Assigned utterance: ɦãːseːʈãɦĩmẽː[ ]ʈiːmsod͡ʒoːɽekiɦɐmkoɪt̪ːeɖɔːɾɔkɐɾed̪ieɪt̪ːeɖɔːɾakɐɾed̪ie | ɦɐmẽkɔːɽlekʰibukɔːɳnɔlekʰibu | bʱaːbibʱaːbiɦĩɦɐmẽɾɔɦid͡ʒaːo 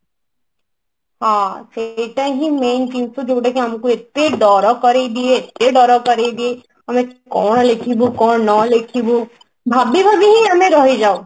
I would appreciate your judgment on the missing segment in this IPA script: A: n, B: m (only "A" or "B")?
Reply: A